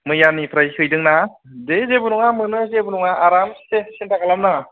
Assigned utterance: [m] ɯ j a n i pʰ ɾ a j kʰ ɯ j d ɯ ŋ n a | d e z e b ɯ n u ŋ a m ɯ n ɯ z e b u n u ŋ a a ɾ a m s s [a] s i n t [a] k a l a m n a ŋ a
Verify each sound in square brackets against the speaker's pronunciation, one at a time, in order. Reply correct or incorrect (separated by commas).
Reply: correct, incorrect, correct